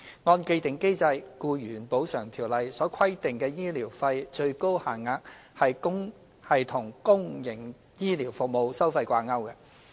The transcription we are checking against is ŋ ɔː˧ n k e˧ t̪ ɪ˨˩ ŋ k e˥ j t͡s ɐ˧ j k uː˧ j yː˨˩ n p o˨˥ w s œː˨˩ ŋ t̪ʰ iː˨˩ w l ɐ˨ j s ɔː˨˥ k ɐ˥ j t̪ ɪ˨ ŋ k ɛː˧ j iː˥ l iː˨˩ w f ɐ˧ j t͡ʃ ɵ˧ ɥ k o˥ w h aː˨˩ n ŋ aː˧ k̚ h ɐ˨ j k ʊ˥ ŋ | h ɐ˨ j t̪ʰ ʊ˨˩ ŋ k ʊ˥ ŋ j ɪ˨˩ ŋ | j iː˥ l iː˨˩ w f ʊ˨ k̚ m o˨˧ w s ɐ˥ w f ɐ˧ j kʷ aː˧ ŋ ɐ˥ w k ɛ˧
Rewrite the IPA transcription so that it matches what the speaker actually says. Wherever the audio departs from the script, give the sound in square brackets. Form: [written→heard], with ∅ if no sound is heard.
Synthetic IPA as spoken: ŋ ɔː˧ n k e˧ t̪ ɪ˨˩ ŋ k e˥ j t͡s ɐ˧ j k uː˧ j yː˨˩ n p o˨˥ w s œː˨˩ ŋ t̪ʰ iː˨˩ w l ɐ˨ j s ɔː˨˥ [k→kʰ] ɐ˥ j t̪ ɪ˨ ŋ k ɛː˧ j iː˥ l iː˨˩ w f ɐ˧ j t͡ʃ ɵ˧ ɥ k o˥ w h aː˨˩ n ŋ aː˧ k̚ h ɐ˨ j k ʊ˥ ŋ | h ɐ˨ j t̪ʰ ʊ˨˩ ŋ k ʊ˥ ŋ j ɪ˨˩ ŋ | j iː˥ l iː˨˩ w f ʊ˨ k̚ m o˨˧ w s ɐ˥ w f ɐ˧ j kʷ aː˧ ŋ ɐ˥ w k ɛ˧